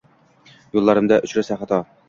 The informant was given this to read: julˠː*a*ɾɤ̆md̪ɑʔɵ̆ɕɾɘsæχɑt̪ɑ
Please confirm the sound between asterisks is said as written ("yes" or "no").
no